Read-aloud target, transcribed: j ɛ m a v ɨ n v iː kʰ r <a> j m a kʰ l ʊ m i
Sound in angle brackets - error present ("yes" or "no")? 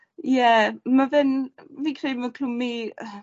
yes